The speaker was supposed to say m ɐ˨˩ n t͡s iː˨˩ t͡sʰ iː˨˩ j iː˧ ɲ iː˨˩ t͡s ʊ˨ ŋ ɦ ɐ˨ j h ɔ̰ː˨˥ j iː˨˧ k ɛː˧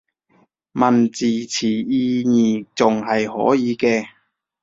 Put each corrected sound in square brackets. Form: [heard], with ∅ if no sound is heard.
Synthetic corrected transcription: m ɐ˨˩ n t͡s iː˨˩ t͡sʰ iː˨˩ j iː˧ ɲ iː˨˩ t͡s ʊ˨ ŋ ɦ ɐ˨ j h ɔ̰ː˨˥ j iː˨˧ k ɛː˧